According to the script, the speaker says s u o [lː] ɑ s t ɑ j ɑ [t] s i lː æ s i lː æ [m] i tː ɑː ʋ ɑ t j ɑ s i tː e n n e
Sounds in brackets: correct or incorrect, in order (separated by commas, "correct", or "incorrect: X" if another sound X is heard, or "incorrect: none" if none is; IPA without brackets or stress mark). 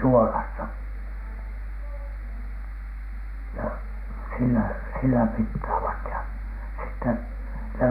incorrect: l, incorrect: none, correct